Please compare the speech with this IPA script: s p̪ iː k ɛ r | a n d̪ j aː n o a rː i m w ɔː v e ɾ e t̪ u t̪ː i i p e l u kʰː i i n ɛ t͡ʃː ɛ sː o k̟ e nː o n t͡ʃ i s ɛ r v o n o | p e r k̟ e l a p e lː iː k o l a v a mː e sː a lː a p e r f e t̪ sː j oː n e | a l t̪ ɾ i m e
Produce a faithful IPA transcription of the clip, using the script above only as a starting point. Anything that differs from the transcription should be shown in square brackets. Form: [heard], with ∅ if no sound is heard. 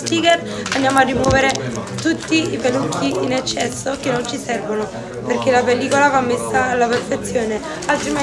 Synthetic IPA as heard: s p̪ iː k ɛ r | a n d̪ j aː [m] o a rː i m w ɔː v e ɾ e t̪ u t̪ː i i p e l u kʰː i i n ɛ t͡ʃː ɛ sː o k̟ e nː o n t͡ʃ i s ɛ r v o n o | p e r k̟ e l a p e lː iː k o l a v a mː e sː a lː a p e r f e t̪ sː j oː n e | a l t̪ ɾ i m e